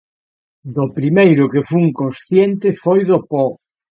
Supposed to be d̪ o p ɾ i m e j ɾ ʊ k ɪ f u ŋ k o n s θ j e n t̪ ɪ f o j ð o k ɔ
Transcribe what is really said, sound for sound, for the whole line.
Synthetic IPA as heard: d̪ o p ɾ i m e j ɾ ʊ k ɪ f u ŋ k o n s θ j e n t̪ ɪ f o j ð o p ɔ